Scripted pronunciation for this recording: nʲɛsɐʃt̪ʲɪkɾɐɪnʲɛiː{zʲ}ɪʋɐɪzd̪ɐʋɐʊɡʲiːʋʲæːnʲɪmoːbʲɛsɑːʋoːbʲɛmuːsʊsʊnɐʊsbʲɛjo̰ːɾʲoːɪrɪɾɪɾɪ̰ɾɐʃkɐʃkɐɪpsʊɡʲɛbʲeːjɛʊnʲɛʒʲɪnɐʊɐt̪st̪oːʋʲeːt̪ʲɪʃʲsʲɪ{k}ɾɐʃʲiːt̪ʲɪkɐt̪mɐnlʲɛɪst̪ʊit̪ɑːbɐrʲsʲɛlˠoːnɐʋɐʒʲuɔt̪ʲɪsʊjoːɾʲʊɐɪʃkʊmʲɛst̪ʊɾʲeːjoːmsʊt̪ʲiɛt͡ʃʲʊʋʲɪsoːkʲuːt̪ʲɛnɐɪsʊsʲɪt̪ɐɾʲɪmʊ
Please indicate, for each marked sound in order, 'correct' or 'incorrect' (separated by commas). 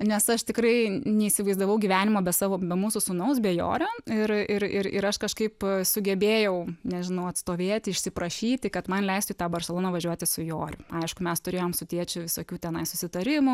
incorrect, incorrect